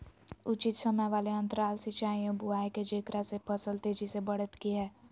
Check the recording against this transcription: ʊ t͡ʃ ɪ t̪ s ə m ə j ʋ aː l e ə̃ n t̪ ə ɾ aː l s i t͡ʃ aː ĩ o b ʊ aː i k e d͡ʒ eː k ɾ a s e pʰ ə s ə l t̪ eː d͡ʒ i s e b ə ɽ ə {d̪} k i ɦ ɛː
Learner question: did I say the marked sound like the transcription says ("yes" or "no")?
no